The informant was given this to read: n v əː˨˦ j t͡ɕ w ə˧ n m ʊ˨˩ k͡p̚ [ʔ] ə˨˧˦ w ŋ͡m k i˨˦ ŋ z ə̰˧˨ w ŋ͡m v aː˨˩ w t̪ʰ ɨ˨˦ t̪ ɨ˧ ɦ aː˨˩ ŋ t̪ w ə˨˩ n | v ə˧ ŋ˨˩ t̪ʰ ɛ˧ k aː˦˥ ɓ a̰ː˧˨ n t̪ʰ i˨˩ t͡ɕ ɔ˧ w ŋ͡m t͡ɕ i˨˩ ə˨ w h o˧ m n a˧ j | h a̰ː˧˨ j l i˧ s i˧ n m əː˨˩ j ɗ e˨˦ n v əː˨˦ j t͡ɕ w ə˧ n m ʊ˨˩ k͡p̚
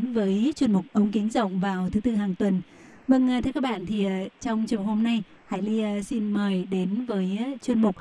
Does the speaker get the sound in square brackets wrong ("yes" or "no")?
no